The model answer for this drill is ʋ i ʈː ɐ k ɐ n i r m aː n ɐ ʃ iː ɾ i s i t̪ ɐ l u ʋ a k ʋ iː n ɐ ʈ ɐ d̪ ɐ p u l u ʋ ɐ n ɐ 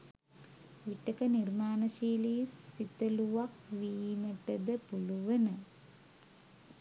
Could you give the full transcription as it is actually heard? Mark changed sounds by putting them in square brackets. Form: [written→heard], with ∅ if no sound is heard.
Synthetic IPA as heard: ʋ i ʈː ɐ k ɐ n i r m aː n ɐ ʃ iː [ɾ→l] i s i t̪ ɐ l u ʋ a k ʋ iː [n→m] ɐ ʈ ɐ d̪ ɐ p u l u ʋ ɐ n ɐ